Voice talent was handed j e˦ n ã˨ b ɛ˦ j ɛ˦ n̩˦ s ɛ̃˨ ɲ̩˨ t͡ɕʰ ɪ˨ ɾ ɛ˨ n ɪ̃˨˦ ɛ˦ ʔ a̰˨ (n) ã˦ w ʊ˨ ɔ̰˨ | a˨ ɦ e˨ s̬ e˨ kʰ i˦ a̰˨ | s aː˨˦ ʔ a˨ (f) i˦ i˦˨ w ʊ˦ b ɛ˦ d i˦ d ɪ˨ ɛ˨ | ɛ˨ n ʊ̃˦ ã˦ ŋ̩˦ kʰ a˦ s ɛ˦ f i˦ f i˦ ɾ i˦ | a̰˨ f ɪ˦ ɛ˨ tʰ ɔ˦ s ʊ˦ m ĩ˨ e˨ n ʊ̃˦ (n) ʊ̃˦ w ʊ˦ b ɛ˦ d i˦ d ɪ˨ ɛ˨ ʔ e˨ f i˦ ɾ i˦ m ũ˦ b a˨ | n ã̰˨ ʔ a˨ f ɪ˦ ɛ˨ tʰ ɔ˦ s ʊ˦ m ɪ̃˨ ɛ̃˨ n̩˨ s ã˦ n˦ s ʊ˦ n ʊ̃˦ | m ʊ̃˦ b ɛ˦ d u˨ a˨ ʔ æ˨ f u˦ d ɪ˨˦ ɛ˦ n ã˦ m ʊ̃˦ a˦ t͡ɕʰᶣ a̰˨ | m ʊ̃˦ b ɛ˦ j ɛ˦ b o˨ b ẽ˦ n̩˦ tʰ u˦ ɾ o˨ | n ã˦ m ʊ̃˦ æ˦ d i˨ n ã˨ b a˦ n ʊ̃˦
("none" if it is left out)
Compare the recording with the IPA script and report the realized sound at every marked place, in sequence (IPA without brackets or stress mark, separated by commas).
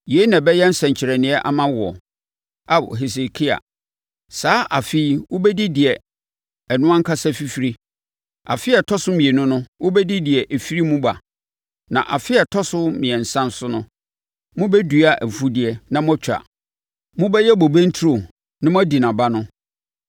m, f, n